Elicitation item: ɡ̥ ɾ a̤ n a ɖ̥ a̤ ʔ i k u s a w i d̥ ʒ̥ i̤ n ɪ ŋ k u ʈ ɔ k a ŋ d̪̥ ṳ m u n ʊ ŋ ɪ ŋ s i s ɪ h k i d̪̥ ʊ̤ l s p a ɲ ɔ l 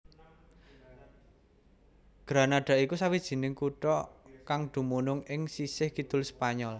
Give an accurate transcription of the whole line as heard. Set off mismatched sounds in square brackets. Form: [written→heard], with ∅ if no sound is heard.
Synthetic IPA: ɡ̥ ɾ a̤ n a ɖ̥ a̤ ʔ i k u s a w i d̥ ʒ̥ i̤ n ɪ ŋ k u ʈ ɔ k a ŋ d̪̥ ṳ m u n ʊ ŋ ɪ ŋ s i s ɪ h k i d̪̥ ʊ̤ l s p a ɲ ɔ l